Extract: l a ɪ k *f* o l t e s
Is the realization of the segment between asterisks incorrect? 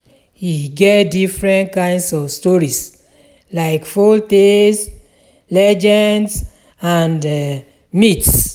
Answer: no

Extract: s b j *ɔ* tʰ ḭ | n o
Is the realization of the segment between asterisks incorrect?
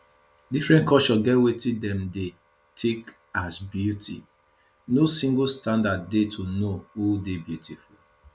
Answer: yes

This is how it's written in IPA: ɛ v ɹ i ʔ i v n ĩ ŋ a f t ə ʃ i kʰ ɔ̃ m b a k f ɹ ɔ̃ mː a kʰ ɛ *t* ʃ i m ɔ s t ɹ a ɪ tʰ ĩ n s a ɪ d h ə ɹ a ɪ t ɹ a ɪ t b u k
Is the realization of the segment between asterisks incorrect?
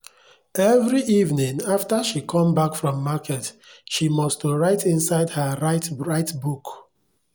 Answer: no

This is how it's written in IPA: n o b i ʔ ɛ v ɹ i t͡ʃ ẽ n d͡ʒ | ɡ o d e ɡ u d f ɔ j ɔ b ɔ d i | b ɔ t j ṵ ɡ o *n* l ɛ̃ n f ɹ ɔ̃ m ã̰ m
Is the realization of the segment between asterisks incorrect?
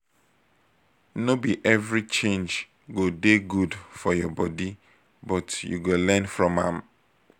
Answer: yes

